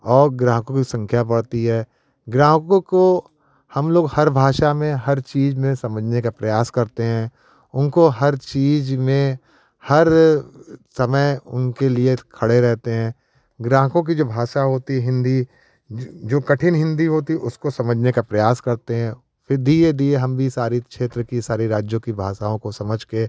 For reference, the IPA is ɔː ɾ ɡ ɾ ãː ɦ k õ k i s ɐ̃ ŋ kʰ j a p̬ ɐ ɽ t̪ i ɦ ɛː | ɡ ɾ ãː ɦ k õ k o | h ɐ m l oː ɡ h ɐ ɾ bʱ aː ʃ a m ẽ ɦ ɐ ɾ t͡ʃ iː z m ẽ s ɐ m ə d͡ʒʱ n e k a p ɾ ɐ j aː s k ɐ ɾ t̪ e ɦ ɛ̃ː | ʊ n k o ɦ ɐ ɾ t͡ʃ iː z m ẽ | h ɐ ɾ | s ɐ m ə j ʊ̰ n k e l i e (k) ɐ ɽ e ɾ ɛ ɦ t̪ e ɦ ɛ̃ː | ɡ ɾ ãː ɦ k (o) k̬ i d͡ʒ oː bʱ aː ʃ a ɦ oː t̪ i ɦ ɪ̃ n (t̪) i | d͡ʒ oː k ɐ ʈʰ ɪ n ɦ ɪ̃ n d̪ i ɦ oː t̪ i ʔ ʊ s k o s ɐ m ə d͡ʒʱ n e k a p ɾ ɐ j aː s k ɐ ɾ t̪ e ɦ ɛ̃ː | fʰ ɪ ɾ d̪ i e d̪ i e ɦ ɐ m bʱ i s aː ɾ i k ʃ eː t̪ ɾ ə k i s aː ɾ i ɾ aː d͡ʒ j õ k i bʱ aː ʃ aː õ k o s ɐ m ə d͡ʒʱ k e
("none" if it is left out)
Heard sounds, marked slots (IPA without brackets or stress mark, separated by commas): kʰ, õ, d̪